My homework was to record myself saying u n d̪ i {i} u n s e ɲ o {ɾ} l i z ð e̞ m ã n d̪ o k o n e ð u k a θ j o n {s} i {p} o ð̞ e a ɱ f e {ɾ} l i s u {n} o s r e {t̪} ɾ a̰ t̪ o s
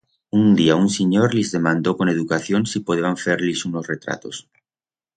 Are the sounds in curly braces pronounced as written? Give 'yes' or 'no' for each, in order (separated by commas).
no, yes, yes, yes, yes, yes, yes